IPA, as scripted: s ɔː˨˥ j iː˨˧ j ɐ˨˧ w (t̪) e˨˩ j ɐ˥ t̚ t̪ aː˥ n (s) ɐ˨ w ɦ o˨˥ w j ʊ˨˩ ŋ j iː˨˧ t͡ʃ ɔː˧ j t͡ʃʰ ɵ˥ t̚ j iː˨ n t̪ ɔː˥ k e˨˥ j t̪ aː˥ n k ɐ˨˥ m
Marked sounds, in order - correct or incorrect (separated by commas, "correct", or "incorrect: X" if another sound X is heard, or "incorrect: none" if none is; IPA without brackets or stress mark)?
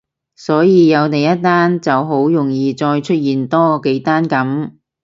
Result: correct, incorrect: t͡s